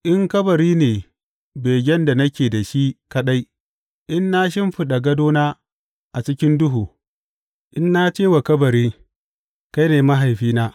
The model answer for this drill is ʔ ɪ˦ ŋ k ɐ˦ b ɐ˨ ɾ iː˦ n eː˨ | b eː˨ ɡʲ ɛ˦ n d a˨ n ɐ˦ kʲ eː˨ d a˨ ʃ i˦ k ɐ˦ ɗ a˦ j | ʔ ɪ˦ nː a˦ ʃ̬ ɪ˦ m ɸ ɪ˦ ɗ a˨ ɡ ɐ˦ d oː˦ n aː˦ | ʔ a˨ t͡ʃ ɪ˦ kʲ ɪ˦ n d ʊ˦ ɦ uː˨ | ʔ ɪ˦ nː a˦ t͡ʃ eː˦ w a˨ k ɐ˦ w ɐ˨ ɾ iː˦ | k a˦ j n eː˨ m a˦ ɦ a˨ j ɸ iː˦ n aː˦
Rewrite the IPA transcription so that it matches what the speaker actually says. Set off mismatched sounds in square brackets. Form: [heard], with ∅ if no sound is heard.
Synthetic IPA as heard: ʔ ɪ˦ ŋ k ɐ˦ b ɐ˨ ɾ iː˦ n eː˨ | b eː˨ ɡʲ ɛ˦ n d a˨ n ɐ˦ kʲ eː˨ d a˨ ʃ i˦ k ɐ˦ ɗ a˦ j | ʔ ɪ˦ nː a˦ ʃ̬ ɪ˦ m ɸ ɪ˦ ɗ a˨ ɡ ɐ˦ d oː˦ n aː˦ | ʔ a˨ t͡ʃ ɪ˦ kʲ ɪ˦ n d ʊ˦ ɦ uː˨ | ʔ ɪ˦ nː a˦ t͡ʃ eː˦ w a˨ k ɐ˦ [b] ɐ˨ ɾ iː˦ | k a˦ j n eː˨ m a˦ ɦ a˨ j ɸ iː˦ n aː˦

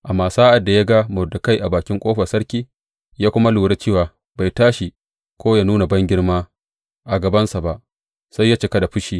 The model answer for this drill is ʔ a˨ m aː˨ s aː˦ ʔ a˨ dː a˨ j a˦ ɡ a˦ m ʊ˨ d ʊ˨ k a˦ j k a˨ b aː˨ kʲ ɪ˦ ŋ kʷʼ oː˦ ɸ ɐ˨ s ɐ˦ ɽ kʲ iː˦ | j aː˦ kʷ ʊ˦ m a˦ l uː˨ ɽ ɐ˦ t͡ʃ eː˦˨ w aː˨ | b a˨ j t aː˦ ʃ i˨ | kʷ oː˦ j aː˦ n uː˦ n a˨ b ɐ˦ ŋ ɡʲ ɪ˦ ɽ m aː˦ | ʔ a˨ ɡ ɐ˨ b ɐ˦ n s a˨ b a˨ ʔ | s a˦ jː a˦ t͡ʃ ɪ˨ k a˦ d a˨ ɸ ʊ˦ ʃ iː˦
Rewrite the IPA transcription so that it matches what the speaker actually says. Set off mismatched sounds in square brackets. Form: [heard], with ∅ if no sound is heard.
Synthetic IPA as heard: ʔ a˨ m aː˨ s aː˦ ʔ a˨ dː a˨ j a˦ ɡ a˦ m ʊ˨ d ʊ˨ k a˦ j [ʔ] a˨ b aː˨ kʲ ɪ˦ ŋ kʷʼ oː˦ ɸ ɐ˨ s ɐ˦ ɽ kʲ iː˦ | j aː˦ kʷ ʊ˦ m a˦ l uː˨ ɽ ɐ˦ t͡ʃ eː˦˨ w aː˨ | b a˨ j t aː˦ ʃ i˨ | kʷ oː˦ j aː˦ n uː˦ n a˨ b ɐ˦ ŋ ɡʲ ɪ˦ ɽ m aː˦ | ʔ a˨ ɡ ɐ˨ b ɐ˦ n s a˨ b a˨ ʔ | s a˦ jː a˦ t͡ʃ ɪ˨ k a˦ d a˨ ɸ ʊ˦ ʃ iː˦

